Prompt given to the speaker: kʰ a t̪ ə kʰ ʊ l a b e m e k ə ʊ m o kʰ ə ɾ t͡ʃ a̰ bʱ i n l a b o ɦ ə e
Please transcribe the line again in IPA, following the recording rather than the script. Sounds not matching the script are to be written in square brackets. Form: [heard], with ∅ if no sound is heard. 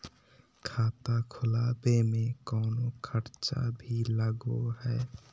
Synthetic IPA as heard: kʰ a t̪ [a] kʰ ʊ l a b e m e k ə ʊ [n] o kʰ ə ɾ t͡ʃ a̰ bʱ i [∅] l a [ɡ] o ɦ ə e